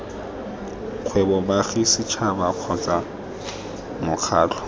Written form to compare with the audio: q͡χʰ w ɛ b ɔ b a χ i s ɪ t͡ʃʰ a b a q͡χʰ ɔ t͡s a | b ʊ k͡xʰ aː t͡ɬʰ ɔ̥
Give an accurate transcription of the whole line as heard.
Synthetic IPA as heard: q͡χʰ w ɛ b ɔ b a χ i s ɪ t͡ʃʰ a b a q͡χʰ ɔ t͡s a | m ʊ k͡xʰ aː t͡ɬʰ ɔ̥